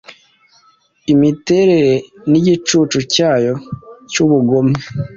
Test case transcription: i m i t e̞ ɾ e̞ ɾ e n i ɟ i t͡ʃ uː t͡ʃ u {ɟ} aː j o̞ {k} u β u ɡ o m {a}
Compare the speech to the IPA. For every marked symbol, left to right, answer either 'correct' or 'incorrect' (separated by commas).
incorrect, incorrect, incorrect